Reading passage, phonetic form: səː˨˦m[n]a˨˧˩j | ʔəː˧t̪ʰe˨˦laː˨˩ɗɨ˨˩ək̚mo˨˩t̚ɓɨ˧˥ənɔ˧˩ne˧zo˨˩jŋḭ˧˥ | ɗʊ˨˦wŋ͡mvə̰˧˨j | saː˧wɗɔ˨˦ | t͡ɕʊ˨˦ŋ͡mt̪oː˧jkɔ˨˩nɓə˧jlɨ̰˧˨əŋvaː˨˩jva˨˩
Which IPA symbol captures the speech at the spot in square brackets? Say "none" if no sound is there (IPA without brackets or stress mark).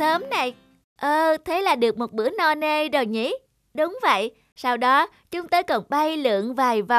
n